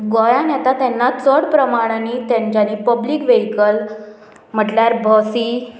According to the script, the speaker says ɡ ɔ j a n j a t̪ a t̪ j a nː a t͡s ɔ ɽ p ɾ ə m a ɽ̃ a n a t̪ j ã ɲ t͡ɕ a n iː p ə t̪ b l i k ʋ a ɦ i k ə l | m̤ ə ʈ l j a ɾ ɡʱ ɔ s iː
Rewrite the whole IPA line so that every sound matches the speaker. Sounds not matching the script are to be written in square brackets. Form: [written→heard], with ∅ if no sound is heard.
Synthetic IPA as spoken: ɡ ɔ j a n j a t̪ a t̪ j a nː a t͡s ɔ ɽ p ɾ ə m a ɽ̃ a n [a→i] t̪ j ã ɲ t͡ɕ a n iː p ə [t̪→∅] b l i k ʋ [a→e] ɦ i k ə l | m̤ ə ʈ l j a ɾ [ɡʱ→bʱ] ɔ s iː